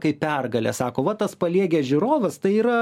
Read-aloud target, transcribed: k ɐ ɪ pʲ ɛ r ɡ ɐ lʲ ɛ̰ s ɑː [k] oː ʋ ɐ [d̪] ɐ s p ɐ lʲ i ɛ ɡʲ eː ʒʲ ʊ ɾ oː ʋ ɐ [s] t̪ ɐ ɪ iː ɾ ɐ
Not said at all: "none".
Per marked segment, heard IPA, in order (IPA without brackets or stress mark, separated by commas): k, t̪, s